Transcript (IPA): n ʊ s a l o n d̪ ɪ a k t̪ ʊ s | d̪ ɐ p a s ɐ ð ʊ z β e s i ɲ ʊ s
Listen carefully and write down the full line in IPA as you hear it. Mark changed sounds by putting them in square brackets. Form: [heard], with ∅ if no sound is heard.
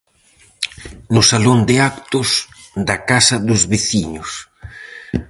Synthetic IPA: n ʊ s a l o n d̪ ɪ a k t̪ ʊ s | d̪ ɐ [k] a s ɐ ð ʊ z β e [θ] i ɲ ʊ s